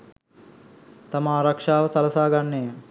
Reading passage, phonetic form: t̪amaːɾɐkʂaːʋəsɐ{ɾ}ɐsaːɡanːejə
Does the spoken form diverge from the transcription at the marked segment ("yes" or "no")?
yes